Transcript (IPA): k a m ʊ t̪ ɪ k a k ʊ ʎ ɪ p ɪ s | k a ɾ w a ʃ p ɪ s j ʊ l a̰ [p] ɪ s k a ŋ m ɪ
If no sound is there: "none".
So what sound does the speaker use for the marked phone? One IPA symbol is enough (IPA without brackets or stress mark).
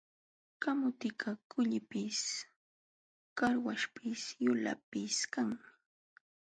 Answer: p